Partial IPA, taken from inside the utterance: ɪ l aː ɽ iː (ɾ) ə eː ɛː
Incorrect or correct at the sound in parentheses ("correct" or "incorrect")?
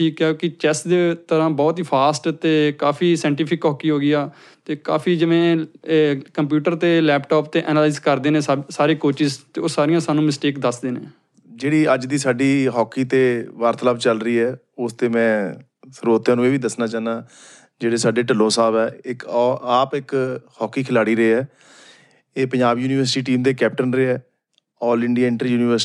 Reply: correct